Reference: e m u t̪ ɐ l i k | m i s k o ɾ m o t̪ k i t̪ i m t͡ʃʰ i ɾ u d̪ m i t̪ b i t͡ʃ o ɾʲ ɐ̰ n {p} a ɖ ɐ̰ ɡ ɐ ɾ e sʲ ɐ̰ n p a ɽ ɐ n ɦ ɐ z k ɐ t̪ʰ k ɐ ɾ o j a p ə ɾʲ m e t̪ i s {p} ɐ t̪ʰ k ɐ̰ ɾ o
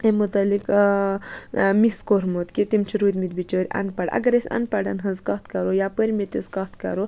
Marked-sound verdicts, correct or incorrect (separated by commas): correct, incorrect